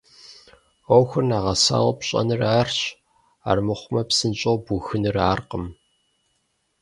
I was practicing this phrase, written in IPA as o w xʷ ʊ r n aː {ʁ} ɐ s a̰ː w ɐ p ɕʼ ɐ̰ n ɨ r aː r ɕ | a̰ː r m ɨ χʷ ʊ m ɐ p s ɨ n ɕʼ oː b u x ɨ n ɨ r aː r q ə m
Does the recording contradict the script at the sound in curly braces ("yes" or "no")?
no